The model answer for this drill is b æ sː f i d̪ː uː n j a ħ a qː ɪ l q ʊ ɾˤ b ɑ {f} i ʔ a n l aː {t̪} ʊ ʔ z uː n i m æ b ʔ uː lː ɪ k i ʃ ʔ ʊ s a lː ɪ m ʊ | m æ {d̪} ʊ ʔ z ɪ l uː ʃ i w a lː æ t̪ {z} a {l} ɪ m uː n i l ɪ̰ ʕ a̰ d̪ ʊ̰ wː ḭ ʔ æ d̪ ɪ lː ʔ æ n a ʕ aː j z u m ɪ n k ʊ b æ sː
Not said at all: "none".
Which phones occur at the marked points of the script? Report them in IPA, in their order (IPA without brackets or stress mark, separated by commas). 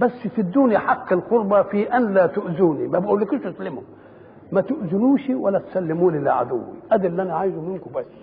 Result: f, t̪, t̪, s, lː